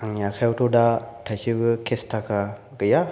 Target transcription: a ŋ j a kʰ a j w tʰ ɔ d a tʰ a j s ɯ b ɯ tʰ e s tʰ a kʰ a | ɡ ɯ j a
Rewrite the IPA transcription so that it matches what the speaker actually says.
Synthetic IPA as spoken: a ŋ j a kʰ a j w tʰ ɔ d a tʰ a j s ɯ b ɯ kʰ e s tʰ a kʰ a | ɡ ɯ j a